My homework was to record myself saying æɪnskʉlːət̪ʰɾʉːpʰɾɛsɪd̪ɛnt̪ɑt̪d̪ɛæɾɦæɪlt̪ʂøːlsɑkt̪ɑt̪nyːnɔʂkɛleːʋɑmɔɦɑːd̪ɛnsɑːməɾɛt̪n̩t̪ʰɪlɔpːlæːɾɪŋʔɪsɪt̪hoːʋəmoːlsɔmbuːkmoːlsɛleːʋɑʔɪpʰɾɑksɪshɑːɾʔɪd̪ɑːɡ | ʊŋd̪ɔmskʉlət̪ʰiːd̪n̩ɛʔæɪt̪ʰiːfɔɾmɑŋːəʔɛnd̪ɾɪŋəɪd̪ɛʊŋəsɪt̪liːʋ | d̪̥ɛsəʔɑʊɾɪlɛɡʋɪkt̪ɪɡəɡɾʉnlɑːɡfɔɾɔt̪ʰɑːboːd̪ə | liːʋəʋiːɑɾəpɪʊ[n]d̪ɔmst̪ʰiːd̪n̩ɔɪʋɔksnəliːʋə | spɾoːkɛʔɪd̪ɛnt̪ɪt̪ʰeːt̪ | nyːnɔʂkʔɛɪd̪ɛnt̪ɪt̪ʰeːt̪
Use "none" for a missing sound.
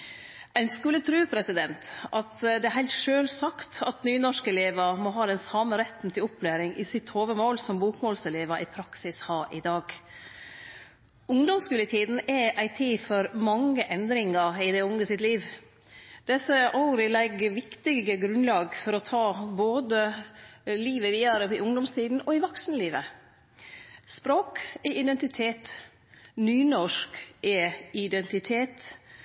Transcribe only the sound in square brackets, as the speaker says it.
ŋ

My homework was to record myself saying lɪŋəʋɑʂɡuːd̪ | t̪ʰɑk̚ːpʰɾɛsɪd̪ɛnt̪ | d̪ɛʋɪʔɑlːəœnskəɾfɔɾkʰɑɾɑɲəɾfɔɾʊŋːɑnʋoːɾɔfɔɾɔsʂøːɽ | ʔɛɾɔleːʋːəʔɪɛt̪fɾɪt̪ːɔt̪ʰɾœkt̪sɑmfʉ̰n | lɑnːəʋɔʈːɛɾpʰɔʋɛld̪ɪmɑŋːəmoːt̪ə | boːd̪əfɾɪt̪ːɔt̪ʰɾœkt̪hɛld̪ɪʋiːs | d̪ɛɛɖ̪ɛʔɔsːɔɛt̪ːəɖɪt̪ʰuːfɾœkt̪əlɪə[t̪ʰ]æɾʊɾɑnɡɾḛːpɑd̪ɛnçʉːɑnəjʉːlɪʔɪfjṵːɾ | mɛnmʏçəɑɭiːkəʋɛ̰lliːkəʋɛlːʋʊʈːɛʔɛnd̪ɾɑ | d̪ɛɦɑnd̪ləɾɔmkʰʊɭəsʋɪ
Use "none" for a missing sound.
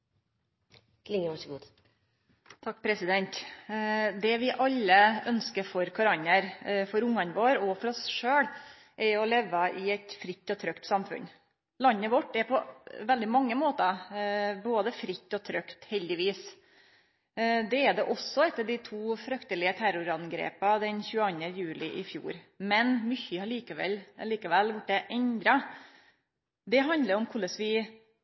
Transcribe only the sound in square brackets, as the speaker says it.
t̪ʰ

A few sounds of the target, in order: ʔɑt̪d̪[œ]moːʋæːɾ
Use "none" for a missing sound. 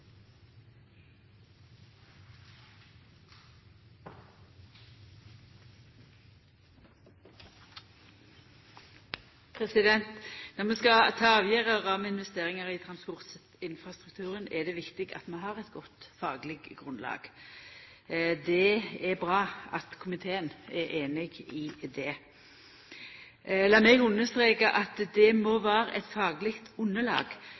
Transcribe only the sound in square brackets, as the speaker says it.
ɛ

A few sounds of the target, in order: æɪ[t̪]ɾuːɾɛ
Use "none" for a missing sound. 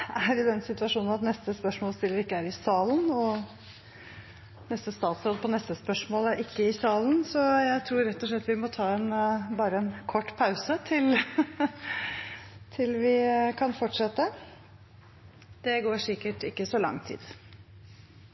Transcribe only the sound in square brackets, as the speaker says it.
t̪ʰ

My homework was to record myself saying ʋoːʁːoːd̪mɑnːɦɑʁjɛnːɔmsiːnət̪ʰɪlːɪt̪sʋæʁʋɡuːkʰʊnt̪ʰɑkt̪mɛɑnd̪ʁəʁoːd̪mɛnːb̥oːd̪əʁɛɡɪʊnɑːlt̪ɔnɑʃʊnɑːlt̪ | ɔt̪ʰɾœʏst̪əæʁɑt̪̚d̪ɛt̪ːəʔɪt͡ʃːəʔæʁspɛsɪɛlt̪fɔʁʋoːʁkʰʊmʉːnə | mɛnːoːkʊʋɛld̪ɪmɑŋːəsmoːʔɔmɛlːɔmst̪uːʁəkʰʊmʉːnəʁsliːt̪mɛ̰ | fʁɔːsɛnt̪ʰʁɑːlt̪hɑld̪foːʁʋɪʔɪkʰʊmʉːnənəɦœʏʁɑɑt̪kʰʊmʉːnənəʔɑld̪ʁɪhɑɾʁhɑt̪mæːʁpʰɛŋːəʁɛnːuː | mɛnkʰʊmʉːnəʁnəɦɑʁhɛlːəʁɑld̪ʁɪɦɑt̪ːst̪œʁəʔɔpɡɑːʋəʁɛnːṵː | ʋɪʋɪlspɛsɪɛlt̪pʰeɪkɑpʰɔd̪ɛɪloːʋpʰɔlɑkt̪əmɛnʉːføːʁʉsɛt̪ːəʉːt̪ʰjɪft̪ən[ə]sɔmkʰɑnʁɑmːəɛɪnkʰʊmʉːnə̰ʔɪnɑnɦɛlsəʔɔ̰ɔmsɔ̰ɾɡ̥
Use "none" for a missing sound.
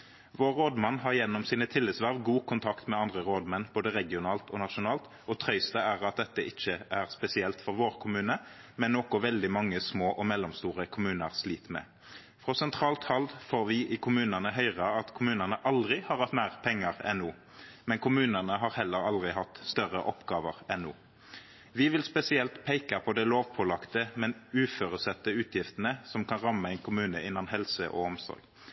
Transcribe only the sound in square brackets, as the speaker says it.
ə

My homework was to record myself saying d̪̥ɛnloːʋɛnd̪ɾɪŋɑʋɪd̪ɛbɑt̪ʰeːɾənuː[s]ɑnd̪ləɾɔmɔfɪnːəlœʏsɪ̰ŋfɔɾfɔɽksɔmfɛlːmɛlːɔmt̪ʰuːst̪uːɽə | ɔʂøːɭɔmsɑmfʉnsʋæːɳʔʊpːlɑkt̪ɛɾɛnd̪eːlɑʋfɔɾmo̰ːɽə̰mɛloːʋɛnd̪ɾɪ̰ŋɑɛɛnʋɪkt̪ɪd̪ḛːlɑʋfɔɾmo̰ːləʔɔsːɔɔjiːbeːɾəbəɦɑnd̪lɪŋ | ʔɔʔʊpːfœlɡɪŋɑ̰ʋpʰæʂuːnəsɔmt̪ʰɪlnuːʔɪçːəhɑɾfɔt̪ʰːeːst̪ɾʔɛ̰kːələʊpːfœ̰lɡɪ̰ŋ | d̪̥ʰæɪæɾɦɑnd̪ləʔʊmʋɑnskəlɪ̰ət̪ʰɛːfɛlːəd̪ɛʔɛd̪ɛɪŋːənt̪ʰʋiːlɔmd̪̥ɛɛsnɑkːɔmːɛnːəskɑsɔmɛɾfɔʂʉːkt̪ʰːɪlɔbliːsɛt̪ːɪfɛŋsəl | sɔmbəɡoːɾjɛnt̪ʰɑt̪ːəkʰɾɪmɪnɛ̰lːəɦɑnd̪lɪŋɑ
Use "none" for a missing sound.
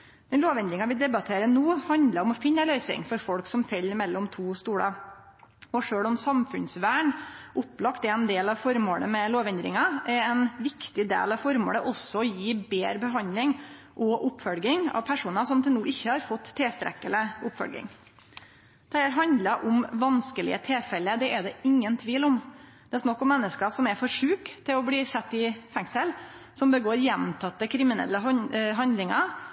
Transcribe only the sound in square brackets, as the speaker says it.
h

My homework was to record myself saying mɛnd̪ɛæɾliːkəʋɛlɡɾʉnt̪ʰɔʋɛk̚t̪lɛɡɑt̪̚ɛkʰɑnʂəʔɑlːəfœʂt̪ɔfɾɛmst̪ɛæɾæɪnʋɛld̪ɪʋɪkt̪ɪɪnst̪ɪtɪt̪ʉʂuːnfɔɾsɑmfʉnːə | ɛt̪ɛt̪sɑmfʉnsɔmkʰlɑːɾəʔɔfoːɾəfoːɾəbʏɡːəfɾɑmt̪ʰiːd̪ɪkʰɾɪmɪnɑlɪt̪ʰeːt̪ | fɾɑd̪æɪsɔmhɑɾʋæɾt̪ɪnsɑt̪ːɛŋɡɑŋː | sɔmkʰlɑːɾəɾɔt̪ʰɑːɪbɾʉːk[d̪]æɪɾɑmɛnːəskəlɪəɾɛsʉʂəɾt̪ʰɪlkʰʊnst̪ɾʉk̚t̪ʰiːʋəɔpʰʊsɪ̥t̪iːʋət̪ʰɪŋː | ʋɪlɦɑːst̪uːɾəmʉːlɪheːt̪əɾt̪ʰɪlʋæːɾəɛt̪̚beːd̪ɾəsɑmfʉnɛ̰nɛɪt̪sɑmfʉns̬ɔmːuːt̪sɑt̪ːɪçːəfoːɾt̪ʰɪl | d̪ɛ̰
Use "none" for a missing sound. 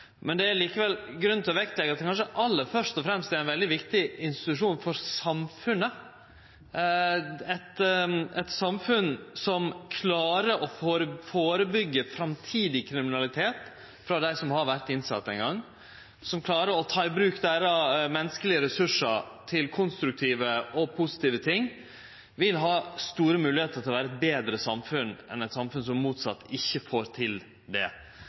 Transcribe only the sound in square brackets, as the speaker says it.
d̪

